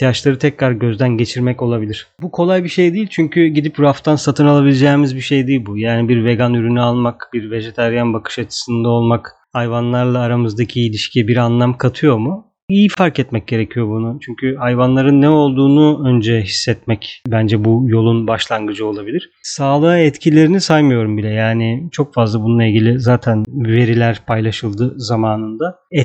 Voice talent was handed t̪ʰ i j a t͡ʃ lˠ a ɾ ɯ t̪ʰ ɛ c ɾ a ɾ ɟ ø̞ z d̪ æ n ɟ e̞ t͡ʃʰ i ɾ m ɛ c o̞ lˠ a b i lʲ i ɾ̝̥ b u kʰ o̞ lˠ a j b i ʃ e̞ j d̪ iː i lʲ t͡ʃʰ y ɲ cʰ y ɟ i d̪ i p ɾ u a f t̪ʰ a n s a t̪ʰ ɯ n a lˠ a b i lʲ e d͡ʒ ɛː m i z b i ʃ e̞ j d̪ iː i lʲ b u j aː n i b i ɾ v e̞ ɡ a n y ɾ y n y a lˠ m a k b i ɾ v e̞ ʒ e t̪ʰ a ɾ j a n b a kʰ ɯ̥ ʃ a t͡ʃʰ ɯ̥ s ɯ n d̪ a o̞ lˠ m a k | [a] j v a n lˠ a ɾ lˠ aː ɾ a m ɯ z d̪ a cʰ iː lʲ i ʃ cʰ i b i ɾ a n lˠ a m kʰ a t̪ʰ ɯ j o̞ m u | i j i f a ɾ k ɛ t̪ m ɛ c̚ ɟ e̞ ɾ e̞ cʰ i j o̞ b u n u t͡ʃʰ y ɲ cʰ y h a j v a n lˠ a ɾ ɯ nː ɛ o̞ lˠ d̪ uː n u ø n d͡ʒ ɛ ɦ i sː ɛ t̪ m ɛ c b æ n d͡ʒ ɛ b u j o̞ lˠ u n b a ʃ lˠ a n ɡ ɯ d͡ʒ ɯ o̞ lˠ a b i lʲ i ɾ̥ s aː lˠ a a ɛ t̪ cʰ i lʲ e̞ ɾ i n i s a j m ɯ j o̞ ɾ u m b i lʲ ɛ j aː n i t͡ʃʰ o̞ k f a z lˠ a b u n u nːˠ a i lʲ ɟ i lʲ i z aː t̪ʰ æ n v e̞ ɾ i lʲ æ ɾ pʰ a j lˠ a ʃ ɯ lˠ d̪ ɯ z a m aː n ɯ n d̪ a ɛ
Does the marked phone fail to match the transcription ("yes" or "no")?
no